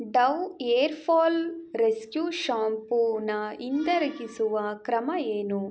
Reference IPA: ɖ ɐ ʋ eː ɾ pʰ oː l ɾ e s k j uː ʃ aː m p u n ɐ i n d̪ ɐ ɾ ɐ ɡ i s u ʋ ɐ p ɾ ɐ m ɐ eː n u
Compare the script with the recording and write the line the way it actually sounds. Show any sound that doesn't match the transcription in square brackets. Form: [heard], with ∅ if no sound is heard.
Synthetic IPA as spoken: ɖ ɐ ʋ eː ɾ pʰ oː l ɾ e s k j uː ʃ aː m p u n ɐ i n d̪ ɐ ɾ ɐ ɡ i s u ʋ ɐ [k] ɾ ɐ m ɐ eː n u